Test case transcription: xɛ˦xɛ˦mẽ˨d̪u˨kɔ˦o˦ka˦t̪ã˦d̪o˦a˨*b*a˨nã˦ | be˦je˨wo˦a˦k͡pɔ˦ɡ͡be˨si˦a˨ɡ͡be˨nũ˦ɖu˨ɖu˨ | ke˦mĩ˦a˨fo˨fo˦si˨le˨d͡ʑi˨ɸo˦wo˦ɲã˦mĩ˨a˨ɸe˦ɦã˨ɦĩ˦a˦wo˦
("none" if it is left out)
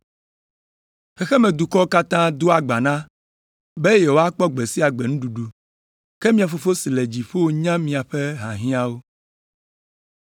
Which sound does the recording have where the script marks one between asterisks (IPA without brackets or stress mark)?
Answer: ɡ͡b